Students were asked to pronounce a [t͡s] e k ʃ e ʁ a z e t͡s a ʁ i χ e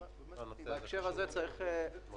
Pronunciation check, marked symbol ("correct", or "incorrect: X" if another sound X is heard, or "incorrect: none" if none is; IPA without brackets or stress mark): incorrect: none